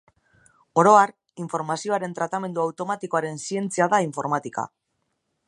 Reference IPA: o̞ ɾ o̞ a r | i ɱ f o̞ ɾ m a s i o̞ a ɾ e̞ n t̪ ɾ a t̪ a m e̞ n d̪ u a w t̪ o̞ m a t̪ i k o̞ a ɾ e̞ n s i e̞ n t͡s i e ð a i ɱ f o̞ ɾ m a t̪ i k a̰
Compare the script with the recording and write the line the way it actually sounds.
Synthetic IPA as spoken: o̞ ɾ o̞ a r | i ɱ f o̞ ɾ m a s i o̞ a ɾ e̞ n t̪ ɾ a t̪ a m e̞ n d̪ u a w t̪ o̞ m a t̪ i k o̞ a ɾ e̞ n s i e̞ n t͡s i a ð a i ɱ f o̞ ɾ m a t̪ i k a̰